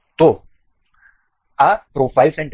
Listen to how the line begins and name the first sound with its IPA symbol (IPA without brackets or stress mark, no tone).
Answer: t̪